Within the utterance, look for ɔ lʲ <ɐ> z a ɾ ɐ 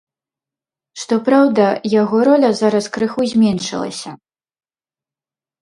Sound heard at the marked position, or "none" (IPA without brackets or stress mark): ɐ